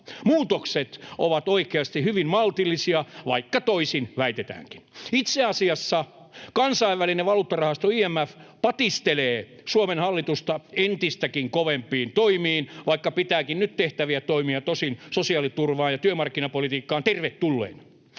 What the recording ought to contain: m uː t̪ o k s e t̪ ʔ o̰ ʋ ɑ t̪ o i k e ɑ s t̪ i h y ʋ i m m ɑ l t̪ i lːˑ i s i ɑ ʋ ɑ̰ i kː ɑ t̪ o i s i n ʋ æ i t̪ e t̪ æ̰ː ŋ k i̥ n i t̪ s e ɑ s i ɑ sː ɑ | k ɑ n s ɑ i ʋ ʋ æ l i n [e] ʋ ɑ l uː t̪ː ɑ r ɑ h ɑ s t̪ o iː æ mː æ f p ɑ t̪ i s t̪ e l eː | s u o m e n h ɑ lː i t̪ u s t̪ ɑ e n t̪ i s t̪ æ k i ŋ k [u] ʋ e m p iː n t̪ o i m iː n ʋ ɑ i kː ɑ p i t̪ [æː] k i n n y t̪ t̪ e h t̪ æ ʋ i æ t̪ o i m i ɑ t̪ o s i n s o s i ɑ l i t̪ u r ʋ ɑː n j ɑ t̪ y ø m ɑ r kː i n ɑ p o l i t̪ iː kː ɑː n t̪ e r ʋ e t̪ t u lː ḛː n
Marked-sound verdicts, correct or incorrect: correct, incorrect, correct

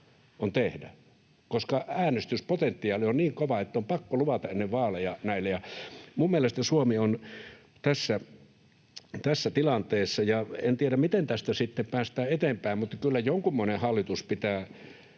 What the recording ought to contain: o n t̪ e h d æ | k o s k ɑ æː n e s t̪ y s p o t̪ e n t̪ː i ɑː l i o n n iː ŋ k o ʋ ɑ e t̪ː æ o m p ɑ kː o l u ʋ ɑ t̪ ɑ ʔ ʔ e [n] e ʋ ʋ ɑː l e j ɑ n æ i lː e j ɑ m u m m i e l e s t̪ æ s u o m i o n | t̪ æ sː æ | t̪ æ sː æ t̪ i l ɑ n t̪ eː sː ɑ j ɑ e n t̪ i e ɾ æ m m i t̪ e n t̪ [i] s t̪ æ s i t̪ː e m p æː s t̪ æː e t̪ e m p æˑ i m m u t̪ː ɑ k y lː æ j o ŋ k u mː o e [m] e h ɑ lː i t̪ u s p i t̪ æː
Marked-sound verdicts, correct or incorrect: incorrect, incorrect, incorrect

